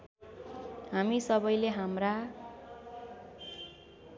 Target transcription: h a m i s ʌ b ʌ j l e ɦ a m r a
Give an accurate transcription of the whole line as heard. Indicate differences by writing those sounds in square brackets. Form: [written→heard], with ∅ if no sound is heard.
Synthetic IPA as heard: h a m i s ʌ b ʌ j l e ɦ a m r a